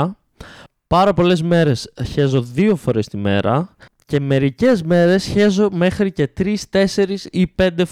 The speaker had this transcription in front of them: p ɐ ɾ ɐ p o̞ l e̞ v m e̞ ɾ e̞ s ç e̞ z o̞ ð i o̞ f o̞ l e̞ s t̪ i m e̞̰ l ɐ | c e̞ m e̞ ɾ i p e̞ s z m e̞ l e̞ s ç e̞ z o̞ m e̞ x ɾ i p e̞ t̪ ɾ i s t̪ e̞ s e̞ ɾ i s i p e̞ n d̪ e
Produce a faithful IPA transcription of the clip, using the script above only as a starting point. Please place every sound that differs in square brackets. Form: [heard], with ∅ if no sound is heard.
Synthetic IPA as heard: p ɐ ɾ ɐ p o̞ l e̞ [z] m e̞ ɾ e̞ s ç e̞ z o̞ ð i o̞ f o̞ [ɾ] e̞ s t̪ i m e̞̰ [ɾ] ɐ | c e̞ m e̞ ɾ i [c] e̞ [∅] z m e̞ [ɾ] e̞ s ç e̞ z o̞ m e̞ x ɾ i [c] e̞ t̪ ɾ i s t̪ e̞ s e̞ ɾ i s i p e̞ n d̪ e